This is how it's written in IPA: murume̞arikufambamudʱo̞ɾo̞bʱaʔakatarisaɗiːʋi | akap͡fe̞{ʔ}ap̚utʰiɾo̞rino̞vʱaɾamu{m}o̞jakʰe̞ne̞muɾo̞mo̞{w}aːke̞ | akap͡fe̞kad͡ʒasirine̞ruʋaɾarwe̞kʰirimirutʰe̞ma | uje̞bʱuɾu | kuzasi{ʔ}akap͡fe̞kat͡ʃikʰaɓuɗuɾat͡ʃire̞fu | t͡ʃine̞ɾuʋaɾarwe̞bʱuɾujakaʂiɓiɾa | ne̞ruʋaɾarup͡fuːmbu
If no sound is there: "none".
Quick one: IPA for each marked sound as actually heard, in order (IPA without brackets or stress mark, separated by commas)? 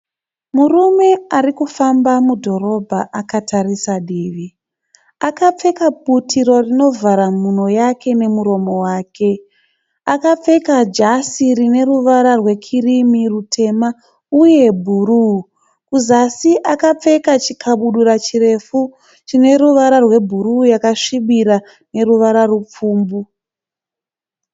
k, n, w, ʔ